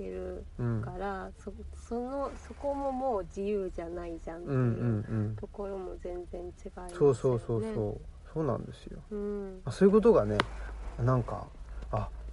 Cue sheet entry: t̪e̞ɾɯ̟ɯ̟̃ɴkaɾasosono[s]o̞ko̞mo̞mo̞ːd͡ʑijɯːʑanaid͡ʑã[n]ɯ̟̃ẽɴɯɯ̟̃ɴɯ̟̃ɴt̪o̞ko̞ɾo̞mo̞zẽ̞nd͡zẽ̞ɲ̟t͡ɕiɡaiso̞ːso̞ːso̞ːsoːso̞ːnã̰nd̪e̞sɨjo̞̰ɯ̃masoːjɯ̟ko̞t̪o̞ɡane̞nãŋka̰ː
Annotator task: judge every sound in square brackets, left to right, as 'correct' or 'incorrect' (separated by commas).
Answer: correct, correct